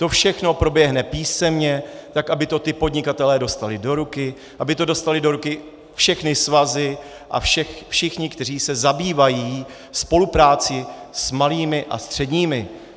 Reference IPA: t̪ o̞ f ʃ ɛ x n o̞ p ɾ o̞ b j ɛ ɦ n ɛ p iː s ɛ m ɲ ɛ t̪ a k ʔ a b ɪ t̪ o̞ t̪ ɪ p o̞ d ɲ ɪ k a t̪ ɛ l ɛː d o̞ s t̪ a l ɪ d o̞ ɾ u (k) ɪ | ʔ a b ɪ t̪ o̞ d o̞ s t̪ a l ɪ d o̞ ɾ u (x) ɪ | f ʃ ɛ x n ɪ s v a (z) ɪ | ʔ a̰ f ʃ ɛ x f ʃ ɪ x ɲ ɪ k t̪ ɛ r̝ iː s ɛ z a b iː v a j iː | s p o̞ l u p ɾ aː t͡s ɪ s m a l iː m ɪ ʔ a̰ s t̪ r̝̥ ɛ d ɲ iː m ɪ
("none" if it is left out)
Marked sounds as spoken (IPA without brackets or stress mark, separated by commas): k, k, z